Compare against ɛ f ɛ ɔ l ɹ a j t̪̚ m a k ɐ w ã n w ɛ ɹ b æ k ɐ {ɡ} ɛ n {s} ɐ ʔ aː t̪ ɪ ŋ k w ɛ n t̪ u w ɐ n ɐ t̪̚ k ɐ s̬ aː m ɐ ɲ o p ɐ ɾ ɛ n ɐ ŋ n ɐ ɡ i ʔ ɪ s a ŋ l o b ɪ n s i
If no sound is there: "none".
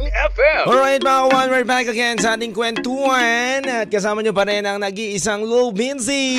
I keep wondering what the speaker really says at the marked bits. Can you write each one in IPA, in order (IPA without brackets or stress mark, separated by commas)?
ɡ, s